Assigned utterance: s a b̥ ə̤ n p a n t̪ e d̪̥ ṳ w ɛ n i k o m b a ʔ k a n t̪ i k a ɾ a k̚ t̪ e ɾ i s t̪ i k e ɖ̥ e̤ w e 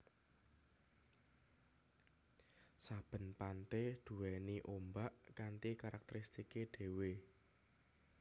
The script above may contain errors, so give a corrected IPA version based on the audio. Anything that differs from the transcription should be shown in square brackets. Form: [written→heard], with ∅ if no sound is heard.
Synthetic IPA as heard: s a b̥ ə̤ n p a n t̪ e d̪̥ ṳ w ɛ n i [k→ʔ] o m b a ʔ k a n t̪ i k a ɾ a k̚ t̪ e ɾ i s t̪ i k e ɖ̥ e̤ w e